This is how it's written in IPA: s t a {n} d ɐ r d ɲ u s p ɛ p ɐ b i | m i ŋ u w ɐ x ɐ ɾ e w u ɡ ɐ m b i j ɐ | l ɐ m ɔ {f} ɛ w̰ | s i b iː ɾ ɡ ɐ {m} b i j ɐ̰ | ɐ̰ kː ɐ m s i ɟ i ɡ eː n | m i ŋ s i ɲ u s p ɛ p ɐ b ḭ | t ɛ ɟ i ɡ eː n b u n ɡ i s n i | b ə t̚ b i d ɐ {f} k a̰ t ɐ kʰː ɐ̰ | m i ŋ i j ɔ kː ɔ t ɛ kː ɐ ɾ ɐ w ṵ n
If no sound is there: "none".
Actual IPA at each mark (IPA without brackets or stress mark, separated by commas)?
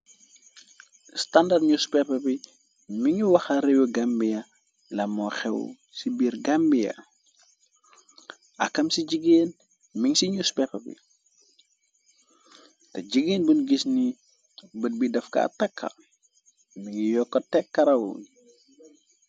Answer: n, x, m, f